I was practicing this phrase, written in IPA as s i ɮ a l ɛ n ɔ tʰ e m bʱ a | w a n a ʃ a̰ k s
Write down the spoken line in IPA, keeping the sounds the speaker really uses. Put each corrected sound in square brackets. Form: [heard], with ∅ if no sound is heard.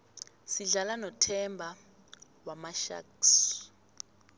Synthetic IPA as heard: s i ɮ a l [a] n ɔ tʰ [ɛ] m bʱ a | w a [m] a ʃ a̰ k s